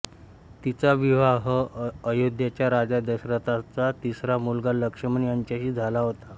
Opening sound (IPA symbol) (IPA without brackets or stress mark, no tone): t̪